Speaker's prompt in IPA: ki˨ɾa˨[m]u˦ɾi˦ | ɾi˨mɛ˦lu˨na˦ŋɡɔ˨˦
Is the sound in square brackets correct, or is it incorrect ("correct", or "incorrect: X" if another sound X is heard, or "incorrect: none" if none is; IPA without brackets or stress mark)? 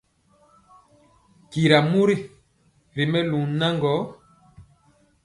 correct